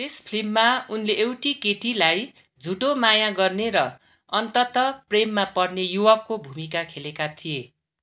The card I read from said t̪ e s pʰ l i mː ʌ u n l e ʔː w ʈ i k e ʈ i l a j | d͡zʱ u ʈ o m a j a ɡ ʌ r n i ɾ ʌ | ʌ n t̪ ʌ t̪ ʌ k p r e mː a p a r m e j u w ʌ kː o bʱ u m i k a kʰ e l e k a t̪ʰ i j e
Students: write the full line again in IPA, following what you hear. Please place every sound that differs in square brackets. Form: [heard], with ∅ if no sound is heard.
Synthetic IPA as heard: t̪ e s pʰ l i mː [a] u n l e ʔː w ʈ i k e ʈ i l a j | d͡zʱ u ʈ o m a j a ɡ ʌ r n [e] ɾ ʌ | ʌ n t̪ ʌ t̪ ʌ [∅] p r e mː a p [ʌ] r [n] e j u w ʌ kː o bʱ u m i k a kʰ e l e k a t̪ʰ i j e

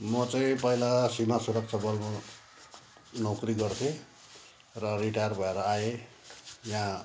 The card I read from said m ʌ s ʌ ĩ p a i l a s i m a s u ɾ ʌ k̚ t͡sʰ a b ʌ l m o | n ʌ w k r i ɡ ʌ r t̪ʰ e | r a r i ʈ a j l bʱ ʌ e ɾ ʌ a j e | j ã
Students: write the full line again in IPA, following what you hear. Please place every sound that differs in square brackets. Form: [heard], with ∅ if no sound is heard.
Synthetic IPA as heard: m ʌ [t͡s] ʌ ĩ p [ʌ] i l a s i m a s u ɾ ʌ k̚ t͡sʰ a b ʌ l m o | n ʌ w k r i ɡ ʌ r t̪ʰ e | r [ʌ] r i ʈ a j [r] bʱ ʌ e ɾ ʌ a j e | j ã

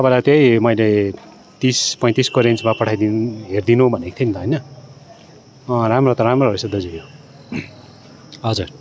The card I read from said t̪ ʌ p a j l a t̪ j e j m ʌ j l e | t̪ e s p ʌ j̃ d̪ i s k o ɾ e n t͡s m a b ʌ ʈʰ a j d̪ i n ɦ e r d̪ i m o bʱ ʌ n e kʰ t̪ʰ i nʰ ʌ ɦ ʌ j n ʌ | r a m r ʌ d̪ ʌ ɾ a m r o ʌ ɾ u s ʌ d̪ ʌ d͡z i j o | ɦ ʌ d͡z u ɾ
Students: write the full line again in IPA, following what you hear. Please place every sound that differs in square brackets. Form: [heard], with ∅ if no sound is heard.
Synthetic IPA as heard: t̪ ʌ p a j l a t̪ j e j m ʌ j l e | t̪ [i] s p ʌ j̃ [t̪] i s k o ɾ e n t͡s m a [p] ʌ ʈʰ a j d̪ i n ɦ e r d̪ i [n] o bʱ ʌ n e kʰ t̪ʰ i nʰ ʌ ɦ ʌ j n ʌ | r a m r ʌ [t̪] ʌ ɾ a m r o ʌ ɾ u s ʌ d̪ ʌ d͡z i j o | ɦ ʌ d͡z u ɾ

